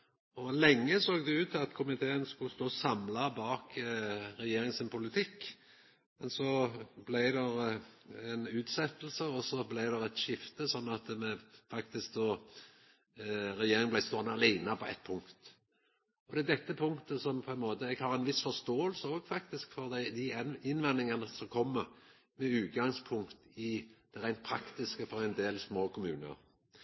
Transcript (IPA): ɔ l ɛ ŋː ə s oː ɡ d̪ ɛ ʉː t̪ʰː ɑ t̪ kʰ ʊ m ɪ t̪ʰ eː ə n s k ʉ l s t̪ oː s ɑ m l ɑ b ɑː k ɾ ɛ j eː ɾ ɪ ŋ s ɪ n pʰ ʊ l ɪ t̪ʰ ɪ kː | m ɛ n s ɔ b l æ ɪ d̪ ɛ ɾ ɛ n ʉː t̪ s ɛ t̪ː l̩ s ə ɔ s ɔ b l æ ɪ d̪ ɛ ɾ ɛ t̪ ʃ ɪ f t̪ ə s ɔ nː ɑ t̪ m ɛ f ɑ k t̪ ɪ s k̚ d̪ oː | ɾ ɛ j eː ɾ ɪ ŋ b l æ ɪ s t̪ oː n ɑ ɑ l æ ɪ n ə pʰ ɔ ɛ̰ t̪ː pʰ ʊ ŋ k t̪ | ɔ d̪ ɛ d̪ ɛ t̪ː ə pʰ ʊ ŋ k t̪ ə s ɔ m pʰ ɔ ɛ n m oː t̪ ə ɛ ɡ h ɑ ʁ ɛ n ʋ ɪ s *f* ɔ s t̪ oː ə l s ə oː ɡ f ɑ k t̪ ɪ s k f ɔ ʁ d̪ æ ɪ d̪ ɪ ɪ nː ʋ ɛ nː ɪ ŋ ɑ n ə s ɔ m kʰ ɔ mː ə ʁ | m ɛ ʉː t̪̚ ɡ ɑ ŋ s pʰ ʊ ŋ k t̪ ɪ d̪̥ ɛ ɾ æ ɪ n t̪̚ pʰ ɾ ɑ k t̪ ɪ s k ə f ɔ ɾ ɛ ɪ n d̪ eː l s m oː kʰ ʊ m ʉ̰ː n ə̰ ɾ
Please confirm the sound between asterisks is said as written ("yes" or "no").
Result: yes